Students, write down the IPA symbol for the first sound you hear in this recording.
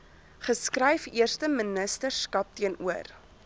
χ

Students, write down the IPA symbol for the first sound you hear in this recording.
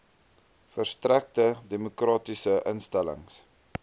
f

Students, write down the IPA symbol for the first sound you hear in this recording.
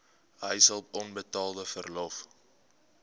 ɦ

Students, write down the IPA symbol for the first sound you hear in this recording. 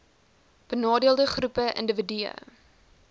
b̥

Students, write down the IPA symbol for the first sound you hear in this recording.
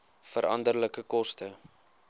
f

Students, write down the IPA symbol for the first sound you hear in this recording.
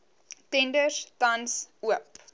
t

